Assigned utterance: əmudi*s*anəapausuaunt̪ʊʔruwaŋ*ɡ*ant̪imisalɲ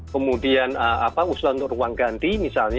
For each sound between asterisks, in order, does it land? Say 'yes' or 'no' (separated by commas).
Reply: no, yes